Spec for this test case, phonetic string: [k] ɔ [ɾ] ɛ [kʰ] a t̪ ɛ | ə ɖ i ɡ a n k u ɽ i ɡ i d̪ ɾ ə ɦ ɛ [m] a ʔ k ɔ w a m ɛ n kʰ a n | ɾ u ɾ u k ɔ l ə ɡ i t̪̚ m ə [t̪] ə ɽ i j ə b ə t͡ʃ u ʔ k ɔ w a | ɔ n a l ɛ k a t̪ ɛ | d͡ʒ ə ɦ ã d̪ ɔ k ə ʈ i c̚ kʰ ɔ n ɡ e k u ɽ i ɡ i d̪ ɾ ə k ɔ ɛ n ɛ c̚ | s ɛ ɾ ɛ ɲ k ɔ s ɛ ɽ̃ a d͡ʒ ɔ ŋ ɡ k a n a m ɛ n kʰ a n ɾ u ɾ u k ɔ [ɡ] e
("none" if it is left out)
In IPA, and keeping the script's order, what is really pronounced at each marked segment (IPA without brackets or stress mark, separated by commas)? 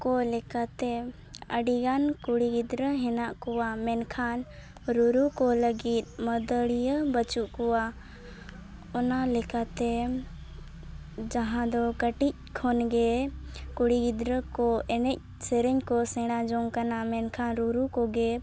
k, l, k, n, d̪, ɡ